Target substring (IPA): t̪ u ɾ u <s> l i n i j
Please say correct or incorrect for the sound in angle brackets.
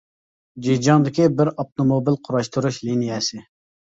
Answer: incorrect